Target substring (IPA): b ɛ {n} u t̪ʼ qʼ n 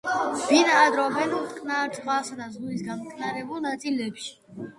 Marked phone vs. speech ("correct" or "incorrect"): correct